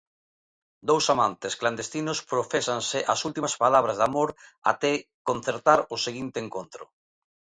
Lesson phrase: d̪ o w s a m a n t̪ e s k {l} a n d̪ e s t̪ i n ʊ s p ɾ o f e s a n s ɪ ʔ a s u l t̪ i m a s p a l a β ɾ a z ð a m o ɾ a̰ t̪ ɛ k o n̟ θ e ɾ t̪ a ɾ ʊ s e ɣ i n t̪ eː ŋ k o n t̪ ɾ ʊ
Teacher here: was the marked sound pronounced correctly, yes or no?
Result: yes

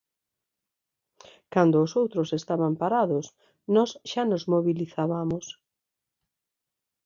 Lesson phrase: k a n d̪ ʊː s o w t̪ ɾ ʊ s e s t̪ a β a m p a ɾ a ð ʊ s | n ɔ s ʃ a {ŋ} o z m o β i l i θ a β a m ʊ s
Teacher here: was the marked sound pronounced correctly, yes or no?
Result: no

